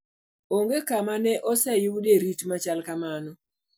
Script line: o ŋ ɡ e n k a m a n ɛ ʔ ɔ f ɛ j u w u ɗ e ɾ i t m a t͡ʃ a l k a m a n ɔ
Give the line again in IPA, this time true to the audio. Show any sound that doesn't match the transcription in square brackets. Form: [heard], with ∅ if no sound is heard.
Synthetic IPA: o ŋ ɡ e [∅] k a m a n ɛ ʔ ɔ [s] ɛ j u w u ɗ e ɾ i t m a t͡ʃ a l k a m a n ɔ